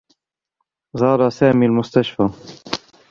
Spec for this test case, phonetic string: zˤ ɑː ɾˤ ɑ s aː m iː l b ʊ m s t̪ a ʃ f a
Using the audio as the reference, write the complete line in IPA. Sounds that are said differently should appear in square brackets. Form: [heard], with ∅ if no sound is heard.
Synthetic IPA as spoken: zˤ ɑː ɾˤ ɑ s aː m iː l [m] ʊ [∅] s t̪ a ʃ f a